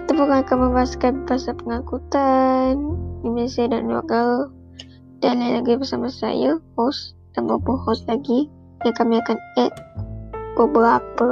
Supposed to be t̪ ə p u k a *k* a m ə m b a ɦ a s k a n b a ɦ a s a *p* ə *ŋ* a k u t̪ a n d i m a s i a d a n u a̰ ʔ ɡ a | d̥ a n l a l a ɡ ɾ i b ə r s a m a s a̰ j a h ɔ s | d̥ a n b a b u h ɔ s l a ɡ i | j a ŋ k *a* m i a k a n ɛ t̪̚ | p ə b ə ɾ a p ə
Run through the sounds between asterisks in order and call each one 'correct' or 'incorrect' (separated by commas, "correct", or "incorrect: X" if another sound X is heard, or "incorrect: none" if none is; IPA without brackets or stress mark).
correct, correct, correct, correct